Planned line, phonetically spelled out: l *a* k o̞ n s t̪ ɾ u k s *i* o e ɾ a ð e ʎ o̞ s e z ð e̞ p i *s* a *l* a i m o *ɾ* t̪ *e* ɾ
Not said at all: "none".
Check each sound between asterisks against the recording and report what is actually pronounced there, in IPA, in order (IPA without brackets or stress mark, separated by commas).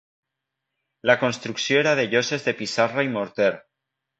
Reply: a, j, s, r, ɾ, e